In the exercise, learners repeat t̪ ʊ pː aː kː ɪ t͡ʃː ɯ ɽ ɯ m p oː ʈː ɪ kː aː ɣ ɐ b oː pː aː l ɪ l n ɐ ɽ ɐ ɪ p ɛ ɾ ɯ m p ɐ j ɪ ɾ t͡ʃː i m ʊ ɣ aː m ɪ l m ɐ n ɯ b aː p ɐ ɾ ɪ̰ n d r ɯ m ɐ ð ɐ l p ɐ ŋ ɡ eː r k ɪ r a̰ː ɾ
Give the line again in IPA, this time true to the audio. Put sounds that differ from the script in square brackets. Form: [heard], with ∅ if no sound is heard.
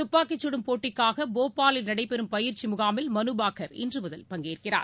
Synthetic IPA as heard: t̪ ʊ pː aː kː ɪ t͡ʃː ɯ ɽ ɯ m p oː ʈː ɪ kː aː ɣ ɐ b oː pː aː l ɪ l n ɐ ɽ ɐ ɪ p ɛ ɾ ɯ m p ɐ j ɪ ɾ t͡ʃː i m ʊ ɣ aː m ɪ l m ɐ n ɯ b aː [k] ɐ ɾ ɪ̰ n d r ɯ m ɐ ð ɐ l p ɐ ŋ ɡ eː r k ɪ r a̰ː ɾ